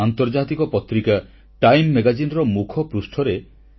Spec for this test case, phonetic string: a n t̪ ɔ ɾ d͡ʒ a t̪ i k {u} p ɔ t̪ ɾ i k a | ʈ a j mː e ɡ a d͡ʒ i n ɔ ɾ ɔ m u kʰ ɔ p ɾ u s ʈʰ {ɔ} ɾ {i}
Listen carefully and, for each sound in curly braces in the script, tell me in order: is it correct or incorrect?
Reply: incorrect: ɔ, correct, incorrect: e

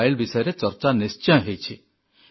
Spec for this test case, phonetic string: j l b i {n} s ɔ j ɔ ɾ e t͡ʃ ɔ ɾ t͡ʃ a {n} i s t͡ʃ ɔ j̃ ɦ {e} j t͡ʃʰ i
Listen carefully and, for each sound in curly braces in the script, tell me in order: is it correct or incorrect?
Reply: incorrect: none, correct, correct

